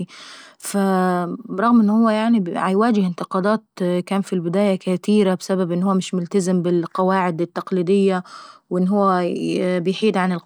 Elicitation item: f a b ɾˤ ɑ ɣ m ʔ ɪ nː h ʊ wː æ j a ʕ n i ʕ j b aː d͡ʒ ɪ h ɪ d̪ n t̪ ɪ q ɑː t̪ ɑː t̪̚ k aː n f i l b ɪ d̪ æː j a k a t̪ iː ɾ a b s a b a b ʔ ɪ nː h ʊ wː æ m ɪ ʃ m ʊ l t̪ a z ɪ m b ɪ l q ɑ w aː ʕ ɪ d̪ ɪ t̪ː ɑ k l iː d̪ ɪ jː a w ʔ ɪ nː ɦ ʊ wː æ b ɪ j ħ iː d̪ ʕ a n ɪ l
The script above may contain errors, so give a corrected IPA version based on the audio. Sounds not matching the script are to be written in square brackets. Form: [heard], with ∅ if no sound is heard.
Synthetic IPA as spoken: f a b ɾˤ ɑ ɣ m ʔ ɪ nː h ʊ wː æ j a ʕ n i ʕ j [w] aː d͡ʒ ɪ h ɪ [∅] n t̪ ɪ q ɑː [d̪] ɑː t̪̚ k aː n f i l b ɪ d̪ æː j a k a t̪ iː ɾ a b s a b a b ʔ ɪ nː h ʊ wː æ m ɪ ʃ m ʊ l t̪ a z ɪ m b ɪ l q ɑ w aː ʕ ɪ d̪ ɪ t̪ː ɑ [q] l iː d̪ ɪ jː a w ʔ ɪ nː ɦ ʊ wː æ b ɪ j ħ iː d̪ ʕ a n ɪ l